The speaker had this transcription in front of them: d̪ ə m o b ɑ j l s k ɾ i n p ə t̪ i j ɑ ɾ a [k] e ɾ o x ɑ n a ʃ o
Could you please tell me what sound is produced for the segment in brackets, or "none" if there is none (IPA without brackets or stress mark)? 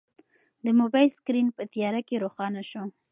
k